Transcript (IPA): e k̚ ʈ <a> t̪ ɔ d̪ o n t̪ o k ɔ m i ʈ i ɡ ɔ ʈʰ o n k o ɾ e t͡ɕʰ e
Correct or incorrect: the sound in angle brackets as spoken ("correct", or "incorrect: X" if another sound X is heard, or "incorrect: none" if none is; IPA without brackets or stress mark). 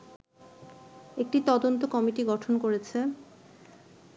incorrect: i